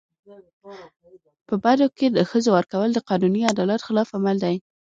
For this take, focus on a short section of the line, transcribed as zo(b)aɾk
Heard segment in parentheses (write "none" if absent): w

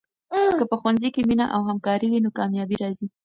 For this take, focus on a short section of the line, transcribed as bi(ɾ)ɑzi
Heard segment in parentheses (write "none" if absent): ɾ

